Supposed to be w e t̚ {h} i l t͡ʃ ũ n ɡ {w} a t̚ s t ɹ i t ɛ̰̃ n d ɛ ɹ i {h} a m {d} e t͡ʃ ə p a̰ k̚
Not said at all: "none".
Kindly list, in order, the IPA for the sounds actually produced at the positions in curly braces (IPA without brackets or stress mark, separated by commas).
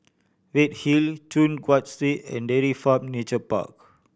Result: h, w, f, n